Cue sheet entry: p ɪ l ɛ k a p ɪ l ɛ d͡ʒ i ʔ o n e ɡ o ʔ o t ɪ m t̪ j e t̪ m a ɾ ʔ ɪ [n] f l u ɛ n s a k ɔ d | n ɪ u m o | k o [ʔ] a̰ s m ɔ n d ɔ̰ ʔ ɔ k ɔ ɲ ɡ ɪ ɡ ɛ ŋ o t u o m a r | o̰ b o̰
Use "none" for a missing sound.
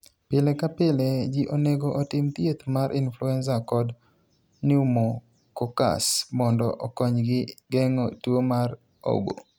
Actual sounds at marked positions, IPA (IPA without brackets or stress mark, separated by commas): n, k